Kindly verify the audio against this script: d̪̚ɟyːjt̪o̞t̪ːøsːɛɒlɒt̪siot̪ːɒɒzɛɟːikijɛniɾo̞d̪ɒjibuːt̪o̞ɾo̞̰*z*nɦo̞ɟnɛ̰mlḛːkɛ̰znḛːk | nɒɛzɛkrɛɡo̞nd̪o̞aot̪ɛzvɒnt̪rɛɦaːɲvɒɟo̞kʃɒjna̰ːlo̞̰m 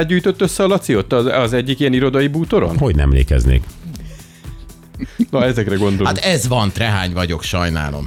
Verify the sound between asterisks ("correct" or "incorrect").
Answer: incorrect